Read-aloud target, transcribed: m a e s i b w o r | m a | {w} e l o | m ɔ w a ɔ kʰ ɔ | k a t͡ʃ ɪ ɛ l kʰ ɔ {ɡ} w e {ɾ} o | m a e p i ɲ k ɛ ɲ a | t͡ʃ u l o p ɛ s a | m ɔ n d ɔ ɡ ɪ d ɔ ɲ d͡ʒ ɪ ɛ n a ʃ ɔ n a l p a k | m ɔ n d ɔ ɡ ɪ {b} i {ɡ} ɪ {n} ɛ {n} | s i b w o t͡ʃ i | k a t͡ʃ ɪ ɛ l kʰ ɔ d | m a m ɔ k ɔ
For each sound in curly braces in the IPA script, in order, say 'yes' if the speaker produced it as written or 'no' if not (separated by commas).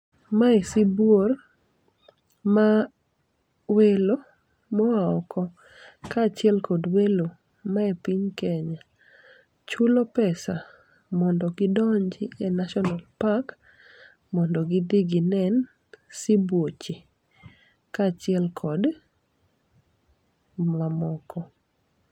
yes, no, no, no, yes, yes, yes